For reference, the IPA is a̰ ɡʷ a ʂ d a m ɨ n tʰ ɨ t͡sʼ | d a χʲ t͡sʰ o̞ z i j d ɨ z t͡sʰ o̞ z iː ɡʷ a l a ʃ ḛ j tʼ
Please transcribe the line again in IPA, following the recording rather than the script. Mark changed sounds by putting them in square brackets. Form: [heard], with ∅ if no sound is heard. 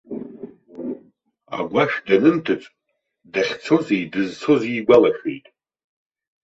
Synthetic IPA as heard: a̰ ɡʷ a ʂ d a [n] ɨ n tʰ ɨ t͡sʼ | d a χʲ t͡sʰ o̞ z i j d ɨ z t͡sʰ o̞ z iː ɡʷ a l a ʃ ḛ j tʼ